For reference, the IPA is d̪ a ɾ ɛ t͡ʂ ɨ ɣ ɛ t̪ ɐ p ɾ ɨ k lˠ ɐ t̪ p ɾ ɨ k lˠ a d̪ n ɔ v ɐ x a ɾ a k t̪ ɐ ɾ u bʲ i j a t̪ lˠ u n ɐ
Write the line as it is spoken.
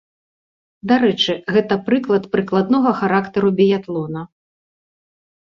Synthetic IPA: d̪ a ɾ ɛ t͡ʂ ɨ ɣ ɛ t̪ ɐ p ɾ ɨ k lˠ ɐ t̪ p ɾ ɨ k lˠ a d̪ n ɔ ɣ ɐ x a ɾ a k t̪ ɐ ɾ u bʲ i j a t̪ lˠ ɔ n ɐ